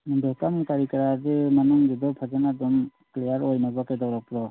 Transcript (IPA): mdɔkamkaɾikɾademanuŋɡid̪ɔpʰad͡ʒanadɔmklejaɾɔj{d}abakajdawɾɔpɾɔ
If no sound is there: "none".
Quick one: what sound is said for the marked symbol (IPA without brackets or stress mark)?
n